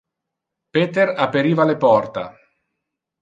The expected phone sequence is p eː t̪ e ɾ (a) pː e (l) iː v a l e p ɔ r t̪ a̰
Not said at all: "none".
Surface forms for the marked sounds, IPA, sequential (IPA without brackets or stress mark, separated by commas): a, ɾ